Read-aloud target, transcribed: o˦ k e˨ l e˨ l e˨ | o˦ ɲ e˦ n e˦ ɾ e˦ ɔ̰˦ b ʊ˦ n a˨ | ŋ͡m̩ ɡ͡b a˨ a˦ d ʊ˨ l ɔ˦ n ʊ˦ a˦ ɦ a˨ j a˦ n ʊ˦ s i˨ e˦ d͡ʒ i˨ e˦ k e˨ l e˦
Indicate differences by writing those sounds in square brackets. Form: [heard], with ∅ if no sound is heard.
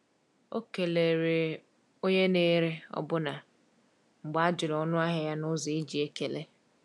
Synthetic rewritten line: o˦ k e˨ l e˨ [ɾ] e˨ | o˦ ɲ e˦ n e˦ ɾ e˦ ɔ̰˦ b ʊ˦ n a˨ | ŋ͡m̩ ɡ͡b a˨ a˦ [d͡ʒ] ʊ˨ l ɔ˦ n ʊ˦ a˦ ɦ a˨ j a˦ n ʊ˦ [z] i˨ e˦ d͡ʒ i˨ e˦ k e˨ l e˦